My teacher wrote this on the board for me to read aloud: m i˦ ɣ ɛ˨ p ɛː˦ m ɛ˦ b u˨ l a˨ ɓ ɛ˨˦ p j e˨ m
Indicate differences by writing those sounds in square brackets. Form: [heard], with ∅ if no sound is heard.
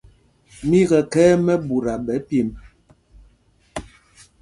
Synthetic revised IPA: m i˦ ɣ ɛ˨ [k] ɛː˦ m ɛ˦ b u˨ [ɾ] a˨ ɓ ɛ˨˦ p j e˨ m